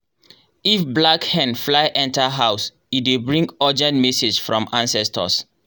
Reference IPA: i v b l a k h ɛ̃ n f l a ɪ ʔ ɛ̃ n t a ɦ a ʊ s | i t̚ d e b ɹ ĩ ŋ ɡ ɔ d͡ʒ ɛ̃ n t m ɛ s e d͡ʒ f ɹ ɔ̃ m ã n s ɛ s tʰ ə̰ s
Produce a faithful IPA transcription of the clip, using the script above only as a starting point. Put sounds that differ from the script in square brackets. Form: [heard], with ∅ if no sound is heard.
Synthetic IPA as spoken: i [f] b l a k h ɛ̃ n f l a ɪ ʔ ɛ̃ n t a ɦ a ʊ s | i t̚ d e b ɹ ĩ ŋ ɡ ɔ d͡ʒ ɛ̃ n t m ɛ s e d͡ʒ f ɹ ɔ̃ m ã n s ɛ s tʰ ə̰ s